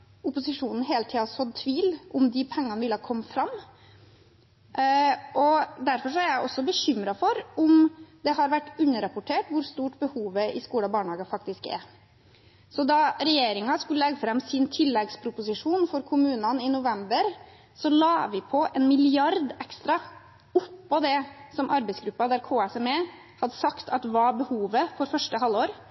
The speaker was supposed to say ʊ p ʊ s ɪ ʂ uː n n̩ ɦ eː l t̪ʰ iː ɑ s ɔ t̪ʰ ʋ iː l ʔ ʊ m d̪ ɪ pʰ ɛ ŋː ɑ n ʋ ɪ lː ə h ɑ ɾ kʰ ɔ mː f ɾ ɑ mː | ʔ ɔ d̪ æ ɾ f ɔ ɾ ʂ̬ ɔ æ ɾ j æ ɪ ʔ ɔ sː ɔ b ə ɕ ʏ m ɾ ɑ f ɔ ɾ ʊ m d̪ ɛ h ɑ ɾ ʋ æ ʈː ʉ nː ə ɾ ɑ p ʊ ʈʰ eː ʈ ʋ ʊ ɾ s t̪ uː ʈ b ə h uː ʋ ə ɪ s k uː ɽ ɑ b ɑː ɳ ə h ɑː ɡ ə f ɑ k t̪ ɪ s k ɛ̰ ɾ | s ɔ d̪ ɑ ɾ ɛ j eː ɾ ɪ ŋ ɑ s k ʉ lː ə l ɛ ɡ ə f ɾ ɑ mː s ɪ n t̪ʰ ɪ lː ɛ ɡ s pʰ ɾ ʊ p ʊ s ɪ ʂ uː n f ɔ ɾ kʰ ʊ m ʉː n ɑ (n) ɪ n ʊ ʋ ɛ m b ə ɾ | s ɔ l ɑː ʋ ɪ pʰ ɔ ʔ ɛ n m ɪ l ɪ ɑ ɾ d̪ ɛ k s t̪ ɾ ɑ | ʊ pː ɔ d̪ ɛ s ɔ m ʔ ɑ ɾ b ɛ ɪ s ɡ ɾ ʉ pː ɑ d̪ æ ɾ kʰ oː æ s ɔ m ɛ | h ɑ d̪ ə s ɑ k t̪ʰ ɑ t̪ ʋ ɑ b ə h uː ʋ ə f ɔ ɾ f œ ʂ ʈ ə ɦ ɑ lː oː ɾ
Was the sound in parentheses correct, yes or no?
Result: yes